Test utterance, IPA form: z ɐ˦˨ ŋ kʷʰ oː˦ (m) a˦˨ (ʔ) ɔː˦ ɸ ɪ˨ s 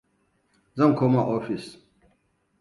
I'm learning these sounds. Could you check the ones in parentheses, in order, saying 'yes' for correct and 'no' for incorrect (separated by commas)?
yes, yes